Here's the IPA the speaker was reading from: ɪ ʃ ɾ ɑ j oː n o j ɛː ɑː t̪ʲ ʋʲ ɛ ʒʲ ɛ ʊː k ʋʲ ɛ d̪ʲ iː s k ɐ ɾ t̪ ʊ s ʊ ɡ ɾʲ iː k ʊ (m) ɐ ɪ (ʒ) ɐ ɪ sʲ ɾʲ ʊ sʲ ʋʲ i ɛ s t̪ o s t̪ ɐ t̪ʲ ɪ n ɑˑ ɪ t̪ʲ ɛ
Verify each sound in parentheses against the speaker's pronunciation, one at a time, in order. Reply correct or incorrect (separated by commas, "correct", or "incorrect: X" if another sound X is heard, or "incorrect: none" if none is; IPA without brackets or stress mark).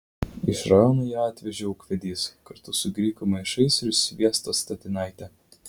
correct, incorrect: ʃ